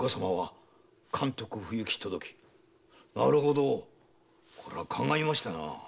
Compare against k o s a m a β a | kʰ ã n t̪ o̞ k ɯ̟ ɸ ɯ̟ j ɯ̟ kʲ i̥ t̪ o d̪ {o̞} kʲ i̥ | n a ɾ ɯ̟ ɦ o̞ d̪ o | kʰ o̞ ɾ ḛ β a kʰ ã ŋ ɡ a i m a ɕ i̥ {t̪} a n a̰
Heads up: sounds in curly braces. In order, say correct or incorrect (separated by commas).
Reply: correct, correct